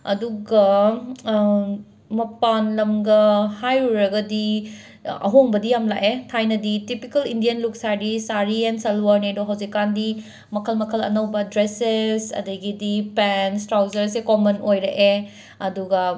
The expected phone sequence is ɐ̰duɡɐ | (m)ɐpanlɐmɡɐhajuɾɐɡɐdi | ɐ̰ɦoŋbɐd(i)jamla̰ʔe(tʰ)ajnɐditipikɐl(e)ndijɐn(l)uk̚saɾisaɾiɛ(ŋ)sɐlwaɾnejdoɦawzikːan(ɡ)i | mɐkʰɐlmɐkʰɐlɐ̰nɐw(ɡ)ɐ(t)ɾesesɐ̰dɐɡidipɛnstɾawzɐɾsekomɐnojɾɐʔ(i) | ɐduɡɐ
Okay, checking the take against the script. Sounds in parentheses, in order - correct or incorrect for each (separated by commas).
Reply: correct, correct, correct, incorrect, correct, incorrect, incorrect, incorrect, incorrect, incorrect